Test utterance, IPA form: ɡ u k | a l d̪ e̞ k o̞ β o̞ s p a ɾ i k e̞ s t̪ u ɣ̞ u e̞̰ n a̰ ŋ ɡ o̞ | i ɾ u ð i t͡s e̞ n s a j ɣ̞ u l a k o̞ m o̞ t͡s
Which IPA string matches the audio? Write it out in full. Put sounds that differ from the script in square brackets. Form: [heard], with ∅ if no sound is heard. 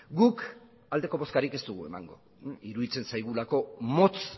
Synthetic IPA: ɡ u k | a l d̪ e̞ k o̞ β o̞ s [k] a ɾ i k e̞ s t̪ u ɣ̞ u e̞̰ [m] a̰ ŋ ɡ o̞ | i ɾ u ð i t͡s e̞ n s a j ɣ̞ u l a k o̞ m o̞ t͡s